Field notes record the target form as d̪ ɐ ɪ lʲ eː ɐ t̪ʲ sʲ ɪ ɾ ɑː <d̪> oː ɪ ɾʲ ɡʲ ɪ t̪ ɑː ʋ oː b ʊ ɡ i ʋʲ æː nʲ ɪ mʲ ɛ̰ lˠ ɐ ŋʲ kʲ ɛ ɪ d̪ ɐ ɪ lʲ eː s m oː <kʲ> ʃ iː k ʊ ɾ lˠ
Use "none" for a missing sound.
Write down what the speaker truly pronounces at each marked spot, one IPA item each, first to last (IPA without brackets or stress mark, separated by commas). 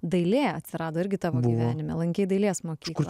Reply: d̪, kʲ